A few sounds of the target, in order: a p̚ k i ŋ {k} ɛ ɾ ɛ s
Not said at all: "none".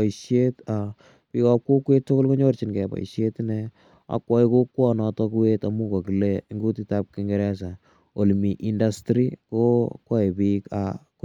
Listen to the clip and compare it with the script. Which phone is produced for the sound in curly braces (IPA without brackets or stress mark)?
ɡ